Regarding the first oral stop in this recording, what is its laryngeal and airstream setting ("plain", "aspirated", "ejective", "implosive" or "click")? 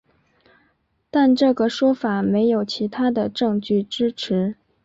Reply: plain